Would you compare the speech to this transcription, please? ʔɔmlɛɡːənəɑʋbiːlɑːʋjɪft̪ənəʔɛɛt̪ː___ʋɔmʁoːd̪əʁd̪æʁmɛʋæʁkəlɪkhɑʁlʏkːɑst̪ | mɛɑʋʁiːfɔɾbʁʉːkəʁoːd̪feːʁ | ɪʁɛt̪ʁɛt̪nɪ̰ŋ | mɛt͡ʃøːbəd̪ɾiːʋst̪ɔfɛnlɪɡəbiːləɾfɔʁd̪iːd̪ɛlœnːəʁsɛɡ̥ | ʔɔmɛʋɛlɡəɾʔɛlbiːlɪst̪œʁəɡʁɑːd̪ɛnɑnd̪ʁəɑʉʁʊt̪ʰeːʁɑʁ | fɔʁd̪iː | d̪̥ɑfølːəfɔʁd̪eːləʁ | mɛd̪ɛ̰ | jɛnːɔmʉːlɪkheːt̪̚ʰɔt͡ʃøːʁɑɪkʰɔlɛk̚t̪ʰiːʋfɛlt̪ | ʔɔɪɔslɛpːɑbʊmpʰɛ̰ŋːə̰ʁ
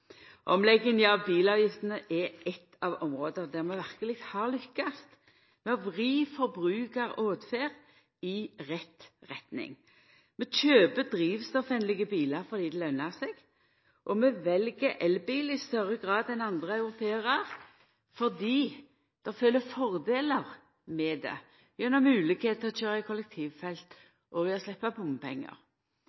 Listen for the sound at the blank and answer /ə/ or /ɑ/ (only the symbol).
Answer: ɑ